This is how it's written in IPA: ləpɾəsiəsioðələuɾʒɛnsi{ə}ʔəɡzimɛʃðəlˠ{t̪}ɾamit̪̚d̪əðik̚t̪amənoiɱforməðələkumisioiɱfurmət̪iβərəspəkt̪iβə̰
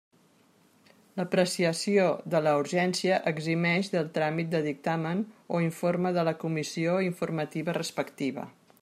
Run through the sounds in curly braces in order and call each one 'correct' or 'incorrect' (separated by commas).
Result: correct, correct